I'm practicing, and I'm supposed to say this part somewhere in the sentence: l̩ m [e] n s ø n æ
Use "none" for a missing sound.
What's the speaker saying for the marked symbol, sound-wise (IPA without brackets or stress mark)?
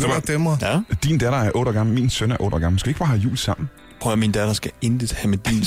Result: i